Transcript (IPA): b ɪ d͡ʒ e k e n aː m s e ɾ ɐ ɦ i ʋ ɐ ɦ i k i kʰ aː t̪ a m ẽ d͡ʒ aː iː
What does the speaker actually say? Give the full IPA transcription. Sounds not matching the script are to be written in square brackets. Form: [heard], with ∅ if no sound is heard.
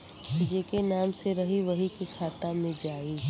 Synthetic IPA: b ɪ d͡ʒ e k e n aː m s e ɾ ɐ ɦ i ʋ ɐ ɦ i k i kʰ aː t̪ a m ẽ d͡ʒ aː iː